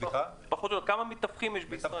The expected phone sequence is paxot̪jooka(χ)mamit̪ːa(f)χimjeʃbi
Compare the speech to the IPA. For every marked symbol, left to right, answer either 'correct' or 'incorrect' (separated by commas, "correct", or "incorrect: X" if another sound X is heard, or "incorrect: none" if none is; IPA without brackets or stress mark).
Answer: incorrect: none, correct